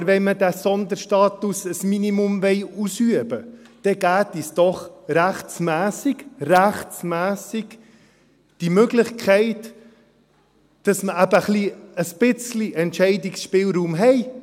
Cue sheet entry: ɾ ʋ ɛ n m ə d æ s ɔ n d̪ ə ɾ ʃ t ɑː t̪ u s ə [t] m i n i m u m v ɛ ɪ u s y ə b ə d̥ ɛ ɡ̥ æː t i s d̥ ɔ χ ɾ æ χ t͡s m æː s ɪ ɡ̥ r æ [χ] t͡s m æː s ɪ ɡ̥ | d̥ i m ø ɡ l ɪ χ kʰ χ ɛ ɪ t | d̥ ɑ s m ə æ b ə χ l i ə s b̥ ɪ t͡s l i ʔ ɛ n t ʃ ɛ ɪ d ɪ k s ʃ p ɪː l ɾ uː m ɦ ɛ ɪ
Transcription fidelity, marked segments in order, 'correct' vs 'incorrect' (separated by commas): incorrect, correct